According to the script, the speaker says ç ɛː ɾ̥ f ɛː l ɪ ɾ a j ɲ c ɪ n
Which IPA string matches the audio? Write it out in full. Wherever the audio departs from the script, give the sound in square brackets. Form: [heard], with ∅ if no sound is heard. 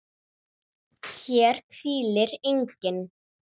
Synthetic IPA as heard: ç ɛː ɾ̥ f [iː] l ɪ ɾ [e] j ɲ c ɪ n